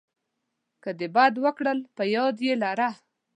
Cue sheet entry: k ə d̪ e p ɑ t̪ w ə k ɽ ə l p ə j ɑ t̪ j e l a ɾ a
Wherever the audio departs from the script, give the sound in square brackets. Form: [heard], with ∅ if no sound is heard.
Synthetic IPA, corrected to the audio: k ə d̪ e [b] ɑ [d̪] w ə k ɽ ə l p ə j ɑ [d̪] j e l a ɾ a